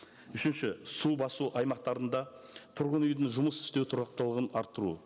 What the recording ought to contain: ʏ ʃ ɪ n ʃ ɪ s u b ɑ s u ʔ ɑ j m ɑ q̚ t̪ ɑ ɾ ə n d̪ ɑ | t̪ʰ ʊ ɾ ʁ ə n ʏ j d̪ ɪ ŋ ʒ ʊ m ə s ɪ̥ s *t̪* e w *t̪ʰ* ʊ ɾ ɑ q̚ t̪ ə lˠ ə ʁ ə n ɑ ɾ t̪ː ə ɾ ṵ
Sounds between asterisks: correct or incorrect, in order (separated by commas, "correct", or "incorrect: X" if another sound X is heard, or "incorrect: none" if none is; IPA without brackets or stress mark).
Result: correct, correct